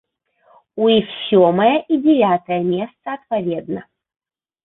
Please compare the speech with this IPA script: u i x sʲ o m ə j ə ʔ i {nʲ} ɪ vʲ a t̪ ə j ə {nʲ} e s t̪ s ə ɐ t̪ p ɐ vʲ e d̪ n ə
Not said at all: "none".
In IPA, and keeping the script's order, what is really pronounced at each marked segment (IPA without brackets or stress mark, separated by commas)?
dʲ, mʲ